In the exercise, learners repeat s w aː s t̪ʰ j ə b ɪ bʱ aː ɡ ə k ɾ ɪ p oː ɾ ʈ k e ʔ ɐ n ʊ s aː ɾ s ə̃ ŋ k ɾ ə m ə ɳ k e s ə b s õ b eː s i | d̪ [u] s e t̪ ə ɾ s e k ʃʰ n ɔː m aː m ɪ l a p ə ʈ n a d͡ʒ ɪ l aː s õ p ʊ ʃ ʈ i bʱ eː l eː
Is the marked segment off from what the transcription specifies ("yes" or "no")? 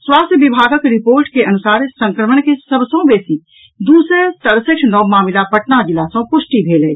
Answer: yes